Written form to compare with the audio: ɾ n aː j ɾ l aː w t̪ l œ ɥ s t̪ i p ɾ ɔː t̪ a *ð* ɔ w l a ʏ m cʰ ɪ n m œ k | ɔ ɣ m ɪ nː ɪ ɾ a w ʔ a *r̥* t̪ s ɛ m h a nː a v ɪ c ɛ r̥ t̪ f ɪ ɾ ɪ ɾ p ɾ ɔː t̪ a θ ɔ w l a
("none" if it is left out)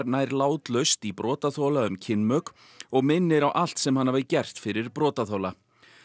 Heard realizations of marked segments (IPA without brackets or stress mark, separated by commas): θ, l̥